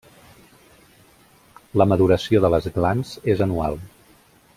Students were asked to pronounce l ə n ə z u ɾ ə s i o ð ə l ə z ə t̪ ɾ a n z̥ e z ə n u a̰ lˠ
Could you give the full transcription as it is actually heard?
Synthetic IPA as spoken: l ə m ə ð u ɾ ə s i o ð ə l ə z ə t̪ l a n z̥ e z ə n u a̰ lˠ